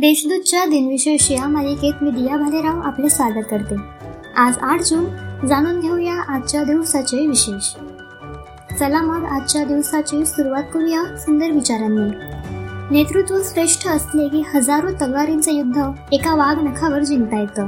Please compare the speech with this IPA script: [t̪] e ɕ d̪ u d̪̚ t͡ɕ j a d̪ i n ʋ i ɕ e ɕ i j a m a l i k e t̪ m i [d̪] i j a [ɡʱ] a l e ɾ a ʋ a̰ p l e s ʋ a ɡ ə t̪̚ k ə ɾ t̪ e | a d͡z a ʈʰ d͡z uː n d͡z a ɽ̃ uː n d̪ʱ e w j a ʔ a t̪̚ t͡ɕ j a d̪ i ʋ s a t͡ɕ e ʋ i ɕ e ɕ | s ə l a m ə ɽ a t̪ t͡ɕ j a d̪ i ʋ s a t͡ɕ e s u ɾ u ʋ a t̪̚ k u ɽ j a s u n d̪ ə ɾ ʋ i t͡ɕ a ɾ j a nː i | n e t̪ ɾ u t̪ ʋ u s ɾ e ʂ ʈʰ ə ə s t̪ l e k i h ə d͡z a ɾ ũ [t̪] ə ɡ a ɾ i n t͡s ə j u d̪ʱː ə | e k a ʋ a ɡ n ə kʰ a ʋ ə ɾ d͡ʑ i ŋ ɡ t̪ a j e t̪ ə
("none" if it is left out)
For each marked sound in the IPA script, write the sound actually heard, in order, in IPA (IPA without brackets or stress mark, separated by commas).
d̪, d̪, bʱ, t̪